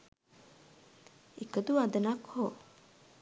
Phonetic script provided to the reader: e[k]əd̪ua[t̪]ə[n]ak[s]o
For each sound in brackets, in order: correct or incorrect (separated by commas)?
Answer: correct, incorrect, correct, incorrect